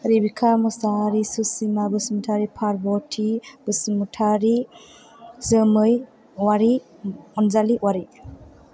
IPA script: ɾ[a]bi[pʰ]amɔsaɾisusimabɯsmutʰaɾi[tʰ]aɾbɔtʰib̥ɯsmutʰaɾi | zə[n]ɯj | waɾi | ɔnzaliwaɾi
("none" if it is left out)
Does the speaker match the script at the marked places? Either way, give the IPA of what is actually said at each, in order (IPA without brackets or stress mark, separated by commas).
i, kʰ, pʰ, m